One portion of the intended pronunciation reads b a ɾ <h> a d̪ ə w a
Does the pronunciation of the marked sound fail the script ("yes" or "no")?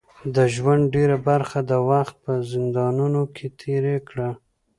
yes